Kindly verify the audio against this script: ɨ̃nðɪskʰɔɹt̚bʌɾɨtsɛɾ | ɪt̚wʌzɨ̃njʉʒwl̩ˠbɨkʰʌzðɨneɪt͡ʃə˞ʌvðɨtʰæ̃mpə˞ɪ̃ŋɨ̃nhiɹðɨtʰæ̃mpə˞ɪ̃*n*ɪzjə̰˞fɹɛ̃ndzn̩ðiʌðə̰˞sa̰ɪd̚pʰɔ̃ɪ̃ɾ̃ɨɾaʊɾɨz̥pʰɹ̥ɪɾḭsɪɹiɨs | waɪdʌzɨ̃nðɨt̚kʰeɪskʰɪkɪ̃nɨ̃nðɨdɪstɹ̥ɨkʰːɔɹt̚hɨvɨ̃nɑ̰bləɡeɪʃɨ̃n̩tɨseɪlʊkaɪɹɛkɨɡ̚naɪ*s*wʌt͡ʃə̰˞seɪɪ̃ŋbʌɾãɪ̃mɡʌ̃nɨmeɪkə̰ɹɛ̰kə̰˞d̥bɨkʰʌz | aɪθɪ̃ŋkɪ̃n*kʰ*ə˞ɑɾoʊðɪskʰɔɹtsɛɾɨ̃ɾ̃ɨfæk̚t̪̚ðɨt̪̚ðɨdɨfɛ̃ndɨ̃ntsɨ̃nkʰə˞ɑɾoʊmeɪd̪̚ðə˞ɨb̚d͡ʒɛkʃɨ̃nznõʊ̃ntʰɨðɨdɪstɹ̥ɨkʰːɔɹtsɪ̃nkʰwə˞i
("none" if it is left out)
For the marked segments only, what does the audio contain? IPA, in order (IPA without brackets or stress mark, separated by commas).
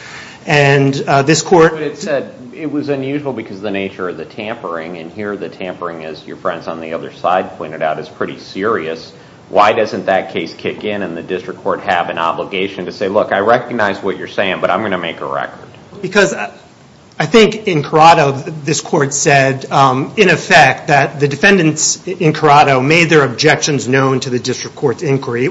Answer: ŋ, z, kʰ